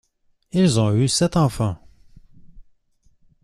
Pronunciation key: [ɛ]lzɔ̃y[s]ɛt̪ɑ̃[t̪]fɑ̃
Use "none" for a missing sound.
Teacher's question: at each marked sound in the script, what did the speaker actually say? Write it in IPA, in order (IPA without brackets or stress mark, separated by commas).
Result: i, s, none